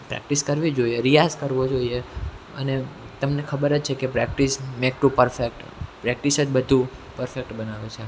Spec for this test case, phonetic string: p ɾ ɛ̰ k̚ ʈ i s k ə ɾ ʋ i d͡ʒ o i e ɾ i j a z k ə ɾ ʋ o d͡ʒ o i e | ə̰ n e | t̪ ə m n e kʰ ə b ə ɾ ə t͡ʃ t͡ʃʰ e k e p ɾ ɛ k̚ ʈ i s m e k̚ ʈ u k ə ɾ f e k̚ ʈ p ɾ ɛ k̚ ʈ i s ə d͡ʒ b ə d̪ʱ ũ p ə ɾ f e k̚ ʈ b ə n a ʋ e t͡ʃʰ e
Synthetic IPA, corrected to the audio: p ɾ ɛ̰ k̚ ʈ i s k ə ɾ ʋ i d͡ʒ o i e ɾ i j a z k ə ɾ ʋ o d͡ʒ o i e | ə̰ n e | t̪ ə m n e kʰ ə b ə ɾ ə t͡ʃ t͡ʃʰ e k e p ɾ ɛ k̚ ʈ i s m e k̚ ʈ u p ə ɾ f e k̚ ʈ p ɾ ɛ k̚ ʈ i s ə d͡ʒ b ə d̪ʱ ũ p ə ɾ f e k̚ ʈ b ə n a ʋ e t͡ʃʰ e